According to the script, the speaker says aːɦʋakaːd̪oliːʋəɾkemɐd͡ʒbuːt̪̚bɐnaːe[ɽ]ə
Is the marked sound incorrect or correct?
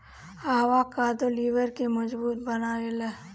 incorrect